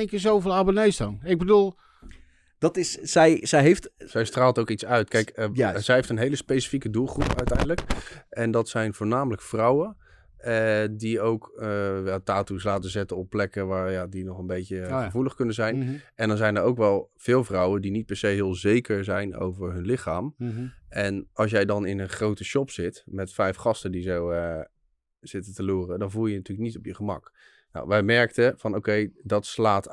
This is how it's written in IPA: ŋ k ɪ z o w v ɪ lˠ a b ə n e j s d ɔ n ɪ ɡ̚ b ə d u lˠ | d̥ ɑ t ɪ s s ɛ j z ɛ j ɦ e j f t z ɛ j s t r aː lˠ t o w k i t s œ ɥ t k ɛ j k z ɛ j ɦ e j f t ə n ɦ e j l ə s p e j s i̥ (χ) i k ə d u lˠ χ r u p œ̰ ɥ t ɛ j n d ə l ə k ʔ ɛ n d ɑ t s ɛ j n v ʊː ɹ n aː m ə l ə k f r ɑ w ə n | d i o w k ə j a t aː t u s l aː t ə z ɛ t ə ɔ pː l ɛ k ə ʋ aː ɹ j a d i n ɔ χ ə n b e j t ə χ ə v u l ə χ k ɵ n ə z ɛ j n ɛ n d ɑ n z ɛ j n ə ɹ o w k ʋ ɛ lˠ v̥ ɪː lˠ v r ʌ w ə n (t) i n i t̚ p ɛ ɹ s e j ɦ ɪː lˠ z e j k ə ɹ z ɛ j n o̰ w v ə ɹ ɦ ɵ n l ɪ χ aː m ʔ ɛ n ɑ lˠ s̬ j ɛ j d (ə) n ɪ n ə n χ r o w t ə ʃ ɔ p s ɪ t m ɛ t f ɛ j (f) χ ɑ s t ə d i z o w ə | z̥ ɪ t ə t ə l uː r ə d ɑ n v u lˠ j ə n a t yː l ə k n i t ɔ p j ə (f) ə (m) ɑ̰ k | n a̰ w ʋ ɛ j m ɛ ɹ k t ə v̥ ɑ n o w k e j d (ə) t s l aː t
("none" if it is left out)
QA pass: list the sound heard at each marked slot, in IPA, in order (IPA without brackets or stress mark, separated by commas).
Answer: f, d, ɑ, f, χ, m, ɑ